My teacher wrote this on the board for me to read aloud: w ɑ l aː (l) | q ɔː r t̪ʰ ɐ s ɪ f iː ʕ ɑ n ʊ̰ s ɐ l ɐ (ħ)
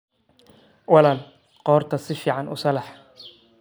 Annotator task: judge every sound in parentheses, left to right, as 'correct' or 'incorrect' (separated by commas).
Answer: correct, correct